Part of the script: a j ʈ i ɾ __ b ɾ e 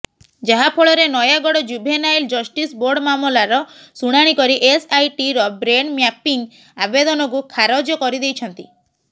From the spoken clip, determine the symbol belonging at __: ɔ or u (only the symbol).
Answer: ɔ